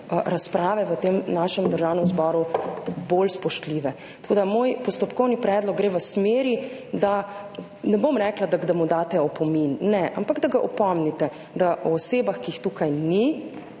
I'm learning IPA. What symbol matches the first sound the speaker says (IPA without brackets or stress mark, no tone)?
ɾ